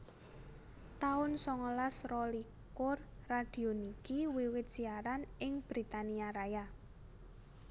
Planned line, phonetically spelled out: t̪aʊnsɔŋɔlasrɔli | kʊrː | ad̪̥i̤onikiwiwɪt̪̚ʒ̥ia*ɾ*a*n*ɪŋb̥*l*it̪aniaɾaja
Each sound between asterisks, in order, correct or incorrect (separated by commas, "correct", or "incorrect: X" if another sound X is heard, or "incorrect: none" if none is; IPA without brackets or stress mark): correct, correct, incorrect: ɾ